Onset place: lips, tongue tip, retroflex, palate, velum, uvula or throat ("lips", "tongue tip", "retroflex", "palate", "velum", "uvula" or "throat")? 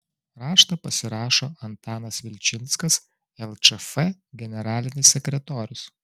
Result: tongue tip